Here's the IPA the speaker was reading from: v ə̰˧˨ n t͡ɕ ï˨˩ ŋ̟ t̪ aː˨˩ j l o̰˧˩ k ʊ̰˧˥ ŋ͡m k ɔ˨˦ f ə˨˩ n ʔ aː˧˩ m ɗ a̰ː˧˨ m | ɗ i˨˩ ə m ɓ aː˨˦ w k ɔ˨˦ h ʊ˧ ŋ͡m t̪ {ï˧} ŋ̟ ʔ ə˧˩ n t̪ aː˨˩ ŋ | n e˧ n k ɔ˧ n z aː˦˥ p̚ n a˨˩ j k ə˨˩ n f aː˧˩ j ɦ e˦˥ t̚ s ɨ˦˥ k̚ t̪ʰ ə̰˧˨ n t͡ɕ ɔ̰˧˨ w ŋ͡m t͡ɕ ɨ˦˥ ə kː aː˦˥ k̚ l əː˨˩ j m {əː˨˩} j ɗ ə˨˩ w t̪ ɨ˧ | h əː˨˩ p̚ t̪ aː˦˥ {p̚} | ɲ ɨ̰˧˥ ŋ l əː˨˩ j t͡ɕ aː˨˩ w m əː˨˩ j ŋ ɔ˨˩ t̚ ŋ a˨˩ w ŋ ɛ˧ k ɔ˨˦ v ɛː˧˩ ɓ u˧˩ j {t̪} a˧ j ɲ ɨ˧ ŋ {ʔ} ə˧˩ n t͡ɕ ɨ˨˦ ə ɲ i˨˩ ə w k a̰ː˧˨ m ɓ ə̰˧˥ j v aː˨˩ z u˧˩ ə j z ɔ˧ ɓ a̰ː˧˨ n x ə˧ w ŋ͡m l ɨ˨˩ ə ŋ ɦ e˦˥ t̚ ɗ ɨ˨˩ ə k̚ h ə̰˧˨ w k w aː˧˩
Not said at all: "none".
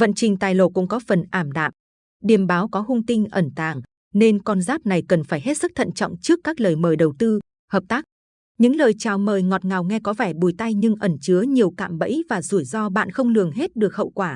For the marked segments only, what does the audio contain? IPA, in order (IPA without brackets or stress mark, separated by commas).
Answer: ï˧, əː˨˩, k̚, t̪, ʔ